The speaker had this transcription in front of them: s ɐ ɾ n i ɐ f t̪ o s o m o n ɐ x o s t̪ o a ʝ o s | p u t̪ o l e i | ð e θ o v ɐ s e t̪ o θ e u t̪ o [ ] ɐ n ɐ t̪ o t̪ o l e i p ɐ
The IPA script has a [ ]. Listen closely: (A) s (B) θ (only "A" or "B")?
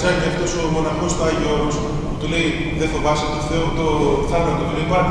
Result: B